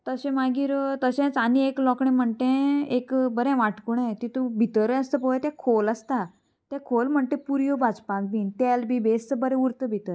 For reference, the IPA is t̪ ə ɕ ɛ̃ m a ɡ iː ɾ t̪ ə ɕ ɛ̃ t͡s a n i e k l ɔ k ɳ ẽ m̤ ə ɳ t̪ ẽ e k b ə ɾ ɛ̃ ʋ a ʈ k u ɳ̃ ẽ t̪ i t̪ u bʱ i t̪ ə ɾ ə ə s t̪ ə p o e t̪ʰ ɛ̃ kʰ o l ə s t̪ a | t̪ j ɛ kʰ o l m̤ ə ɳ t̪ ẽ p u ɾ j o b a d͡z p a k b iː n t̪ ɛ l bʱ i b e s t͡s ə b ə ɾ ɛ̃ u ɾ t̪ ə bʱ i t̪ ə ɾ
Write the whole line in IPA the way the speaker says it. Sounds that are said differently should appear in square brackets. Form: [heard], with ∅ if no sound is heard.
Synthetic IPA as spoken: t̪ ə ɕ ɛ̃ m a ɡ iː ɾ t̪ ə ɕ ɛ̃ t͡s a n i e k l ɔ k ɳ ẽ m̤ ə ɳ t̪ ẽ e k b ə ɾ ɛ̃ ʋ a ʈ k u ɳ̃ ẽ t̪ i t̪ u bʱ i t̪ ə ɾ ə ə s t̪ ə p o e [t̪] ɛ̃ kʰ o l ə s t̪ a | t̪ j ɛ kʰ o l m̤ ə ɳ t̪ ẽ p u ɾ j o b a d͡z p a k b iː n t̪ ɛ l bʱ i b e s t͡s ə b ə ɾ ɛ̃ u ɾ t̪ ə bʱ i t̪ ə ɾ